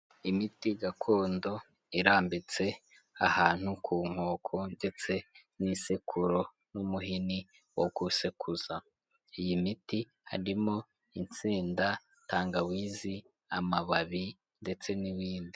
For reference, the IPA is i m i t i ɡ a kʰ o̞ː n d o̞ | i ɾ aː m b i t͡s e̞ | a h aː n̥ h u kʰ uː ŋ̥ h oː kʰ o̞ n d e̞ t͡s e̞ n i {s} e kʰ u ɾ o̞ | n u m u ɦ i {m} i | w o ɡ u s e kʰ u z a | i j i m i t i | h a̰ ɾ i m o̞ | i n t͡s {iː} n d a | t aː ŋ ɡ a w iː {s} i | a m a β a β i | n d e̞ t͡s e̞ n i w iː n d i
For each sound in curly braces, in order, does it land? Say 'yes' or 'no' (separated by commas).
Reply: yes, no, yes, no